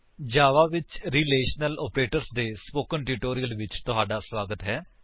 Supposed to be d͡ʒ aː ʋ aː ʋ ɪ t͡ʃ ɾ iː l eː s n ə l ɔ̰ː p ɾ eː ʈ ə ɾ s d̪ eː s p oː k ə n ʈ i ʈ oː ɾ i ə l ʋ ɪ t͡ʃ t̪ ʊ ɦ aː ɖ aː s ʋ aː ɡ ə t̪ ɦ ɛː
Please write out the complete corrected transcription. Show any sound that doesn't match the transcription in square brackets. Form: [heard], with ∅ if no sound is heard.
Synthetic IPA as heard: d͡ʒ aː ʋ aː ʋ ɪ t͡ʃ ɾ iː l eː [ʃ] n ə l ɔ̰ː p ɾ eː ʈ ə ɾ s d̪ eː s p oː k ə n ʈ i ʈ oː ɾ i ə l ʋ ɪ t͡ʃ t̪ ʊ ɦ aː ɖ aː s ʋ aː ɡ ə t̪ ɦ ɛː